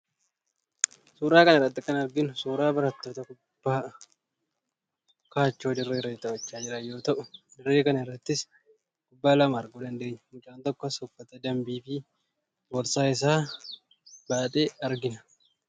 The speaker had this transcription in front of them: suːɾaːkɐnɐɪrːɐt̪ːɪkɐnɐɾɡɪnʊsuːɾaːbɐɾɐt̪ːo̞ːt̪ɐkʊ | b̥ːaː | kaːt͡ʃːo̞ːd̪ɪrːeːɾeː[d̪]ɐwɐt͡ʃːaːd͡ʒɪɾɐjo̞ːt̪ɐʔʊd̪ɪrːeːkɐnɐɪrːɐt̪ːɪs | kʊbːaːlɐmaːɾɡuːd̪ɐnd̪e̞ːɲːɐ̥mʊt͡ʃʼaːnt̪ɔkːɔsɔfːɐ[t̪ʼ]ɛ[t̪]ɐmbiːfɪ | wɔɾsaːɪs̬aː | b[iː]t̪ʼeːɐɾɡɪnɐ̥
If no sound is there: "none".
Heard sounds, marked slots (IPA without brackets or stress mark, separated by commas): t̪, t̪, d̪, aː